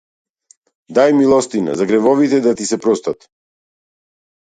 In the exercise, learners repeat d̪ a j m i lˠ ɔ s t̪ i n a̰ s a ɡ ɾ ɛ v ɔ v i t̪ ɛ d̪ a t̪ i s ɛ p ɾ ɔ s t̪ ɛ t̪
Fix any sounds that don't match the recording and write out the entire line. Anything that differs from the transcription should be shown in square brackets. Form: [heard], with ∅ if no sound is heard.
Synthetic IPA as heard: d̪ a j m i lˠ ɔ s t̪ i n a̰ [z] a ɡ ɾ ɛ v ɔ v i t̪ ɛ d̪ a t̪ i s ɛ p ɾ ɔ s t̪ [a] t̪

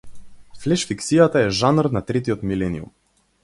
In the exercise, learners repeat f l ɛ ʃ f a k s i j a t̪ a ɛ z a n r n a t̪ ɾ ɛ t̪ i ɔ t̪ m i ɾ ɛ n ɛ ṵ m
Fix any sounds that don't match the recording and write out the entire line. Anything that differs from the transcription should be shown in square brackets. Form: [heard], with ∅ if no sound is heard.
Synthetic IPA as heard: f l ɛ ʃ f [i] k s i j a t̪ a ɛ [ʒ] a n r n a t̪ ɾ ɛ t̪ i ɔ t̪ m i [l] ɛ n [i] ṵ m

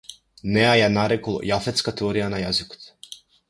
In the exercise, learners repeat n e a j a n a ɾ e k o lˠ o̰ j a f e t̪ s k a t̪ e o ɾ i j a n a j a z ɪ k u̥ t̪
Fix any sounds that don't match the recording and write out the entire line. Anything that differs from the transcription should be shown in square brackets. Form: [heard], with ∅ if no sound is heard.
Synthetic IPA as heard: n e a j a n a ɾ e k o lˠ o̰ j a f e t̪ s k a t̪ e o ɾ i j a n a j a z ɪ k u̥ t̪

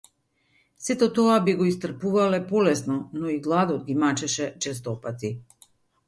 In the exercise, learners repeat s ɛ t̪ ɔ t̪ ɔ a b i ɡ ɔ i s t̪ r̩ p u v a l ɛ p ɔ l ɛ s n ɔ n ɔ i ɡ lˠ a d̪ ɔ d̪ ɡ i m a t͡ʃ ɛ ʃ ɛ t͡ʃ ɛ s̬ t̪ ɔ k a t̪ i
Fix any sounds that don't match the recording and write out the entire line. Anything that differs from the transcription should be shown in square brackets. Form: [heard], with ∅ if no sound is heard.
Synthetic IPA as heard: s ɛ t̪ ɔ t̪ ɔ a b i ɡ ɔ i s t̪ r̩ p u v a l ɛ p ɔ l ɛ s n ɔ n ɔ i ɡ lˠ a d̪ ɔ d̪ ɡ i m a t͡ʃ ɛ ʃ ɛ t͡ʃ ɛ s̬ t̪ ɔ [p] a t̪ i

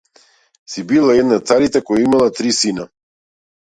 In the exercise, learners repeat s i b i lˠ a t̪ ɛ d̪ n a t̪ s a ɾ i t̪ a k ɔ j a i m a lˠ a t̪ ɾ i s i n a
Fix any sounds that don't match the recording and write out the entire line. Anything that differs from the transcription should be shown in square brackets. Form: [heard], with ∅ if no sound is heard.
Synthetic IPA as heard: s i b i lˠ a [∅] ɛ d̪ n a t̪ s a ɾ i t̪ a k ɔ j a i m a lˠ a t̪ ɾ i s i n a

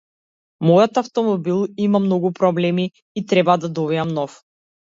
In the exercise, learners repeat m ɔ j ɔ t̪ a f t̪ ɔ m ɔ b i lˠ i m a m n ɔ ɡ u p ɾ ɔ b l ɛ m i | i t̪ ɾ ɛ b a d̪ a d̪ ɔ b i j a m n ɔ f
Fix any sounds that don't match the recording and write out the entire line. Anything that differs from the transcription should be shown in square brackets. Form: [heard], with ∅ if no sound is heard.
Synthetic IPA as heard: m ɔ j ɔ t̪ a f t̪ ɔ m ɔ b i lˠ i m a m n ɔ ɡ u p ɾ ɔ b l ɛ m i | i t̪ ɾ ɛ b a d̪ a d̪ ɔ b i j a m n ɔ f

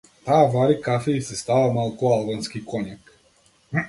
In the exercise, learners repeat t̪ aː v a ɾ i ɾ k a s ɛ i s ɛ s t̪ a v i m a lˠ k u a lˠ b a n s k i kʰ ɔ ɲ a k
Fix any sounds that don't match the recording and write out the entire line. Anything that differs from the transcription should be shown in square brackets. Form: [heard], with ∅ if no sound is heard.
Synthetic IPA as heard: t̪ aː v a ɾ i [∅] k a [f] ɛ i s ɛ s t̪ a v [a] m a lˠ k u a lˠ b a n s k i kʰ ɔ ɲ a k

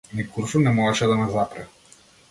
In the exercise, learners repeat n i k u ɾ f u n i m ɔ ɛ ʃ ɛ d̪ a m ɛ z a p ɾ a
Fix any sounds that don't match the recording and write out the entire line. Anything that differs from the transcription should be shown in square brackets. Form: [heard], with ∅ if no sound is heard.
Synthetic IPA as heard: n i k u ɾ f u n [ɛ] m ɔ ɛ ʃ ɛ d̪ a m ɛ z a p ɾ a

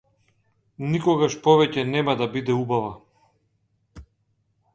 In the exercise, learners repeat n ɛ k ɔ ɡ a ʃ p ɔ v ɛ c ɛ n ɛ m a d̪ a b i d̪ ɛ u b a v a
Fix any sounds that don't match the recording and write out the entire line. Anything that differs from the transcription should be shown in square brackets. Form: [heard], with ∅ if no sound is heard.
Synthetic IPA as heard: n [i] k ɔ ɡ a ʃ p ɔ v ɛ c ɛ n ɛ m a d̪ a b i d̪ ɛ u b a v a

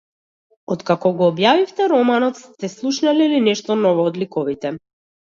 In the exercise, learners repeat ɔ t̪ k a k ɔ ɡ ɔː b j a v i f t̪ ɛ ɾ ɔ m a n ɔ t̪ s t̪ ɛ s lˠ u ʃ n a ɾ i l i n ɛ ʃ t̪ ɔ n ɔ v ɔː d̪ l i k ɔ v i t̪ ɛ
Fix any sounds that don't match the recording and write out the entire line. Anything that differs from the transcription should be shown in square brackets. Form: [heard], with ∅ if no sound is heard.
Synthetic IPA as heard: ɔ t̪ k a k ɔ ɡ ɔː b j a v i f t̪ ɛ ɾ ɔ m a n ɔ t̪ s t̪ ɛ s lˠ u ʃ n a [l] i l i n ɛ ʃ t̪ ɔ n ɔ v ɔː d̪ l i k ɔ v i t̪ ɛ

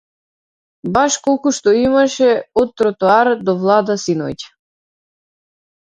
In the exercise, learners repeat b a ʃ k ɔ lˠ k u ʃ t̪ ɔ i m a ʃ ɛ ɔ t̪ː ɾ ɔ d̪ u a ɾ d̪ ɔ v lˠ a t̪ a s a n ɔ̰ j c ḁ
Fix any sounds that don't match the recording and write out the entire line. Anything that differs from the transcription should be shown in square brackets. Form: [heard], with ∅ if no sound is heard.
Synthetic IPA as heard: b a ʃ k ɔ lˠ k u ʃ t̪ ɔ i m a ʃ ɛ ɔ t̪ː ɾ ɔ [t̪] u a ɾ d̪ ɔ v lˠ a [d̪] a s [i] n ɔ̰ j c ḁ

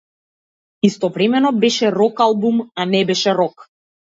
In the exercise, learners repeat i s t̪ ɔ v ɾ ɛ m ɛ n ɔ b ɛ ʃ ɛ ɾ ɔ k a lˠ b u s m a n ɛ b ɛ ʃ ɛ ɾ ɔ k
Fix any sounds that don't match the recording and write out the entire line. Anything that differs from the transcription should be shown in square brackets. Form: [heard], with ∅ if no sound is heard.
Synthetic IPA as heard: i s t̪ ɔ v ɾ ɛ m ɛ n ɔ b ɛ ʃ ɛ ɾ ɔ k a lˠ b u [∅] m a n ɛ b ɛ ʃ ɛ ɾ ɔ k

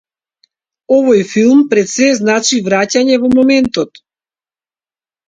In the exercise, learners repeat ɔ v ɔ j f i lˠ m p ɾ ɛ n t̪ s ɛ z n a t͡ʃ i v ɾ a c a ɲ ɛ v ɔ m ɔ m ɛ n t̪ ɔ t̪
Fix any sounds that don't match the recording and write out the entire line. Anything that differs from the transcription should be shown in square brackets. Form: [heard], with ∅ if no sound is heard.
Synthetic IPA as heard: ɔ v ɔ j f i lˠ m p ɾ ɛ [∅] t̪ s ɛ z n a t͡ʃ i v ɾ a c a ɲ ɛ v ɔ m ɔ m ɛ n t̪ ɔ t̪

